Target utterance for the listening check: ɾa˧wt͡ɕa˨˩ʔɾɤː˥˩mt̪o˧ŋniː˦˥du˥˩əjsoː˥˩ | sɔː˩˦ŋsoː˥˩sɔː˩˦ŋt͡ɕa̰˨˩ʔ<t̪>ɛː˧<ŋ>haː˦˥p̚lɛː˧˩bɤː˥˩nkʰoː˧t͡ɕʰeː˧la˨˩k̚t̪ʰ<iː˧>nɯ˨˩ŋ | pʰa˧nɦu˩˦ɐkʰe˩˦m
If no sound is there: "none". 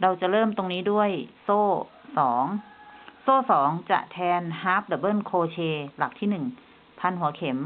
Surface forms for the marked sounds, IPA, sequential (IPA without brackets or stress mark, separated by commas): t̪ʰ, n, iː˥˩